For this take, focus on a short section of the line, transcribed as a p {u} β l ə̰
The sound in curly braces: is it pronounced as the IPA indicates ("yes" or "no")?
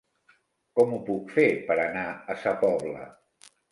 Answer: no